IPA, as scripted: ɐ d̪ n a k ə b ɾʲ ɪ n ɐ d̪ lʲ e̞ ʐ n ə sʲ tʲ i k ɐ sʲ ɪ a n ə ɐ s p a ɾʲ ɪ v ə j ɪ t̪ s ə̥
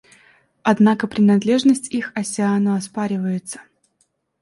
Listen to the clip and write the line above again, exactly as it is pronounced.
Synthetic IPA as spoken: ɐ d̪ n a k ə p ɾʲ ɪ n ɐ d̪ lʲ e̞ ʐ n ə sʲ tʲ i x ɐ sʲ ɪ a n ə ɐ s p a ɾʲ ɪ v ə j ɪ t̪ s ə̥